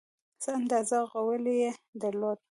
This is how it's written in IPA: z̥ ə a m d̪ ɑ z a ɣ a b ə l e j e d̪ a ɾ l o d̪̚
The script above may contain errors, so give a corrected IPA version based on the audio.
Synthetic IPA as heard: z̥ ə a n d̪ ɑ z a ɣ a w ə l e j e d̪ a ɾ l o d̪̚